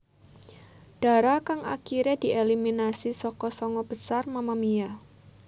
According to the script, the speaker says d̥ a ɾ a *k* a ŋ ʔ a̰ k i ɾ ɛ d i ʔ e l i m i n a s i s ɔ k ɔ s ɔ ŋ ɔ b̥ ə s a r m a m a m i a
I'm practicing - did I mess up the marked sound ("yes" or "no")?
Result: no